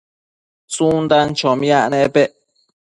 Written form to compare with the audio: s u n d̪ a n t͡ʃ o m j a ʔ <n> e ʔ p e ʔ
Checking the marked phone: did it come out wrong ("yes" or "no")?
no